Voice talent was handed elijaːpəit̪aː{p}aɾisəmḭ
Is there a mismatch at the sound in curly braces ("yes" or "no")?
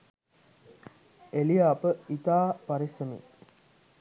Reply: no